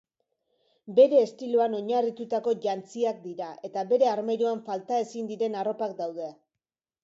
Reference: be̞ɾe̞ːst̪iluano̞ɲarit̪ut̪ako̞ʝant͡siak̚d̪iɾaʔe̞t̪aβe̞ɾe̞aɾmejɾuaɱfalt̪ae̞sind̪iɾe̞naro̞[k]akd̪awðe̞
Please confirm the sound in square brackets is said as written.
no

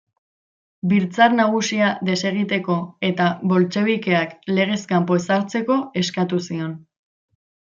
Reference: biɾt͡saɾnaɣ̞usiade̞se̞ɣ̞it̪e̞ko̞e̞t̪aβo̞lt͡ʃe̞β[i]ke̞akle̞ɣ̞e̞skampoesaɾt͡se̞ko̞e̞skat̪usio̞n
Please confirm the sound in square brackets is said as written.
yes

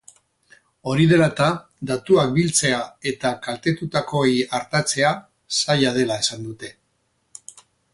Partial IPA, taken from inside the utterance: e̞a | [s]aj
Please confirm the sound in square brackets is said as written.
yes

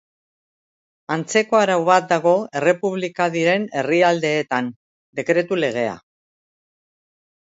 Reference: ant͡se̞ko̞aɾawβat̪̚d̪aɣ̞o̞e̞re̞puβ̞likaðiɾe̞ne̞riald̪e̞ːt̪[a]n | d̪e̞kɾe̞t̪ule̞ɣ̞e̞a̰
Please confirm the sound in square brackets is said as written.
yes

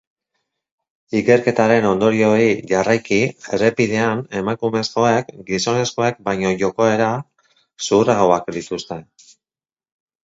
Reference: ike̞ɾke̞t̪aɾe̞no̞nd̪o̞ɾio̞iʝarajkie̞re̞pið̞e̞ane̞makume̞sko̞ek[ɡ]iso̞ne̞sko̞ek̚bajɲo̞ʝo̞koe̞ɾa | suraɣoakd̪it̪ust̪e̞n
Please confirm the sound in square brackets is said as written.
yes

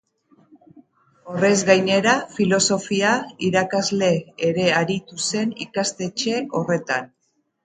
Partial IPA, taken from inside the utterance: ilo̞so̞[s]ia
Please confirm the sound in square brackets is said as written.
no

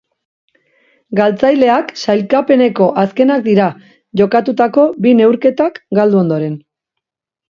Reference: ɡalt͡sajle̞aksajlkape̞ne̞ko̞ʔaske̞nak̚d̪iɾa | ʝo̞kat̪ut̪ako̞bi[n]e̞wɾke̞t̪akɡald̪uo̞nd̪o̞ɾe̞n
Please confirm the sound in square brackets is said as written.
yes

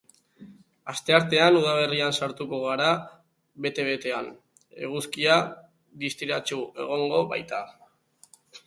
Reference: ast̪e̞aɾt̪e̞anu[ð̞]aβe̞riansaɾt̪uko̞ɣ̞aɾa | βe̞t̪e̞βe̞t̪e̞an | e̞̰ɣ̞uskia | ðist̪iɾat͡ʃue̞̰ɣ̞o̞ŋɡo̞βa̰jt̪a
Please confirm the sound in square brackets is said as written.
yes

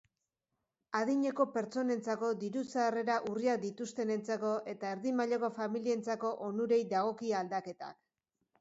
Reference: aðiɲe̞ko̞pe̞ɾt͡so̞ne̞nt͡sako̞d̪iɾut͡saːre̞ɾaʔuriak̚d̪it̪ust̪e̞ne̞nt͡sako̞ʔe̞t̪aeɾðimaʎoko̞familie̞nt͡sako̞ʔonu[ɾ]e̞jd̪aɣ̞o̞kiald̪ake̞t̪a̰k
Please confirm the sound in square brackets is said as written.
yes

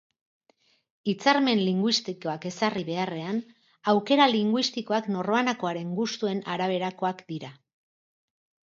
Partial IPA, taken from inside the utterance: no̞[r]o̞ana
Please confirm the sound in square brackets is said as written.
yes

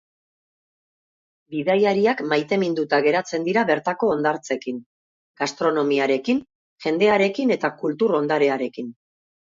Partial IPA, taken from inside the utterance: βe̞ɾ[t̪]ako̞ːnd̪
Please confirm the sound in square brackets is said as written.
yes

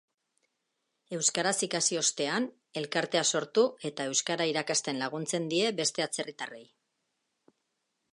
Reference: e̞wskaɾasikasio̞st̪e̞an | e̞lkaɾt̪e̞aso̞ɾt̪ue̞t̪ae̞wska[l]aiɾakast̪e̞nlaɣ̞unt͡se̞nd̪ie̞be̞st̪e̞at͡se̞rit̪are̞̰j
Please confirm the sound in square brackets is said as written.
no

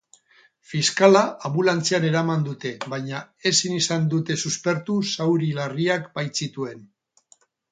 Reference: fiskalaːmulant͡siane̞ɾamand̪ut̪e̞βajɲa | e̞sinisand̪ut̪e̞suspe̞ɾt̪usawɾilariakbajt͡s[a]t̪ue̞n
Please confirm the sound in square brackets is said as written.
no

